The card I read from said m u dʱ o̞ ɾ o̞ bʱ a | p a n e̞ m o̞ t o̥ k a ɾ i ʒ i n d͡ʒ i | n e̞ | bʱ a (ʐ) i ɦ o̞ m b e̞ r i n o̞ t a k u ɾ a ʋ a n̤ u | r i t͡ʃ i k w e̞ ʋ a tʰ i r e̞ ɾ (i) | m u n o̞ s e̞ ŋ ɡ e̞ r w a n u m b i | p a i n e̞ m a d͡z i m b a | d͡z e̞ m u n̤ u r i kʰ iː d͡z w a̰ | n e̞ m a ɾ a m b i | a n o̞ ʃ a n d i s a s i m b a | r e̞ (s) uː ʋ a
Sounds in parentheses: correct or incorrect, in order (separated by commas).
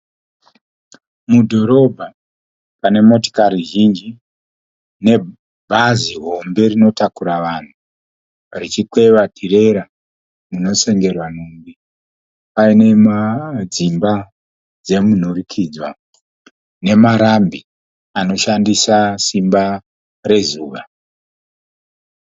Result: incorrect, incorrect, incorrect